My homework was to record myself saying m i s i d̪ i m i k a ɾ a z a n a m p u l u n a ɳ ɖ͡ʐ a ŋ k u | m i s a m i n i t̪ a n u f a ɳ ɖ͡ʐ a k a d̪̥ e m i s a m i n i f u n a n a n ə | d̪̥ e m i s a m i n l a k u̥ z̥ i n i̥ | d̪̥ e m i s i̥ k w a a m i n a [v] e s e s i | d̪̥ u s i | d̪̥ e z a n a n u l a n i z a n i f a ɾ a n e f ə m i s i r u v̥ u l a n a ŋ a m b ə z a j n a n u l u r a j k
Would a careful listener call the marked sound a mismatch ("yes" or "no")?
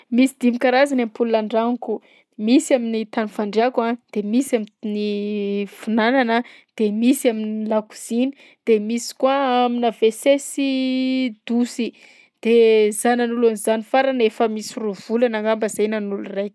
no